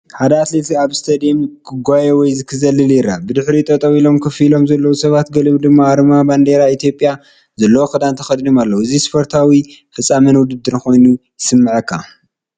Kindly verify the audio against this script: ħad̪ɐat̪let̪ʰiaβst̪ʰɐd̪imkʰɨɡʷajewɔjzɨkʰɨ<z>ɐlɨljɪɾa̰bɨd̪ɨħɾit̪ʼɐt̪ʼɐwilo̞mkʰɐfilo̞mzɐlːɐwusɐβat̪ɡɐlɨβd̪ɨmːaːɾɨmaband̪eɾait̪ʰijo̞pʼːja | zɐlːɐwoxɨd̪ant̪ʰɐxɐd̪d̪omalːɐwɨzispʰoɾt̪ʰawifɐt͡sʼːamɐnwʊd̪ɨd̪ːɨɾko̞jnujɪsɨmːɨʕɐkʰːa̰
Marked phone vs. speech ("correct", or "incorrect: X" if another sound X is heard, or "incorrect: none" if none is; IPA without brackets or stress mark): correct